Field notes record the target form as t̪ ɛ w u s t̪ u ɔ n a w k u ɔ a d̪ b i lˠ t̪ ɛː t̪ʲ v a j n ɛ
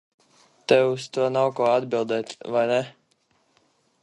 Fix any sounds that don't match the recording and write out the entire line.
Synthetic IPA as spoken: t̪ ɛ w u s t̪ u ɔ n a w k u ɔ a d̪ b i lˠ d̪ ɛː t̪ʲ v a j n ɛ